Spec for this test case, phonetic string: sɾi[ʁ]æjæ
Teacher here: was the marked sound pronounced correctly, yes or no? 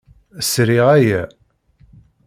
yes